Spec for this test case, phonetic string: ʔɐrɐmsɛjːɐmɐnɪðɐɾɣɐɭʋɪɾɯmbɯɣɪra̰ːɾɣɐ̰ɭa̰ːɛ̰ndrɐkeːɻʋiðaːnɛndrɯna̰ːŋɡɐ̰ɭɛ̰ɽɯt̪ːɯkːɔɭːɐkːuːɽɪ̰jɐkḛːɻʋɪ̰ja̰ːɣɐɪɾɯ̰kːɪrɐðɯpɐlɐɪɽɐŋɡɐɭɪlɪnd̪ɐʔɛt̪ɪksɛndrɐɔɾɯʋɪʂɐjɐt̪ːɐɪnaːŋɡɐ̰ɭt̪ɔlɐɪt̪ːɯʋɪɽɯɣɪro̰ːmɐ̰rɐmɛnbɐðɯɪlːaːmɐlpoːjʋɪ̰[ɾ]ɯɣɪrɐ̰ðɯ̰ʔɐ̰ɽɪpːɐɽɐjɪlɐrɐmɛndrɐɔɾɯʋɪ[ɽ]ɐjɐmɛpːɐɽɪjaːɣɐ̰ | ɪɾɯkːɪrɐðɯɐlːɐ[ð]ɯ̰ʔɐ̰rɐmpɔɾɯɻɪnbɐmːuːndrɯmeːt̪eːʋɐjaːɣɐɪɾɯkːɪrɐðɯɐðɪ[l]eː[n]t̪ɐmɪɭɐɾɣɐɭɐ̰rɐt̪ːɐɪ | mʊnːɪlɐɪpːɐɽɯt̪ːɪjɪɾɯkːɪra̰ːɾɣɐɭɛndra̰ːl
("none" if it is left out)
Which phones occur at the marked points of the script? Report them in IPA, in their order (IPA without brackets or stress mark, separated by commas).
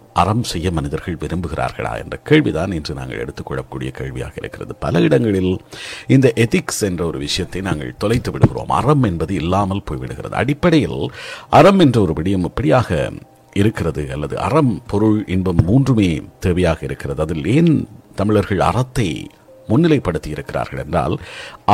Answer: ɽ, ɽ, ð, l, n